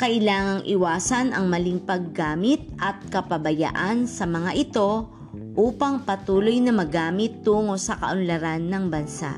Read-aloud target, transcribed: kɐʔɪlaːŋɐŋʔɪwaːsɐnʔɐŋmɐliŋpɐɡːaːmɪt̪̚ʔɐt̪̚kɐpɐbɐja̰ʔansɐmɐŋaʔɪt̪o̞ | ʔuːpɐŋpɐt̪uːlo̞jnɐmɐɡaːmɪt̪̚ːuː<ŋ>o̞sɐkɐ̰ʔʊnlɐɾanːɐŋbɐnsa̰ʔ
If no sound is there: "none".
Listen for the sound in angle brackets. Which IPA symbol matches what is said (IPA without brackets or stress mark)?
ŋ